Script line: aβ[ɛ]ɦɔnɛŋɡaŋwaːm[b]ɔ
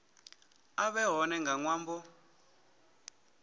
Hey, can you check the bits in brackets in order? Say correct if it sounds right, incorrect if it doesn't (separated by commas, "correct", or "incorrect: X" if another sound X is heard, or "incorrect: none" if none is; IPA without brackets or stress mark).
correct, correct